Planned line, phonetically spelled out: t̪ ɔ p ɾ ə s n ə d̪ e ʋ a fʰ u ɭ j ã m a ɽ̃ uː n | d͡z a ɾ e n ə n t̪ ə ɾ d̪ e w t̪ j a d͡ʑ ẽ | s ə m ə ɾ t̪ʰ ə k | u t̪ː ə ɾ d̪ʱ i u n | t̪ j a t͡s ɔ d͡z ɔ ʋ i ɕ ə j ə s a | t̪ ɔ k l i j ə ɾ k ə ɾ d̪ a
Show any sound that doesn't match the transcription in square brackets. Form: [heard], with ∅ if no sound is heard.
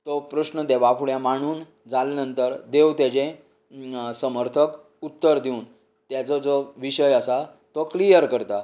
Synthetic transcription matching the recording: t̪ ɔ p ɾ ə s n ə d̪ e ʋ a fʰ u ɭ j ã m a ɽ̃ uː n | d͡z a [l] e n ə n t̪ ə ɾ d̪ e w t̪ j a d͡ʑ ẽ | s ə m ə ɾ t̪ʰ ə k | u t̪ː ə ɾ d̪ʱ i u n | t̪ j a t͡s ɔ d͡z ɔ ʋ i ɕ ə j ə s a | t̪ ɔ k l i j ə ɾ k ə ɾ [t̪] a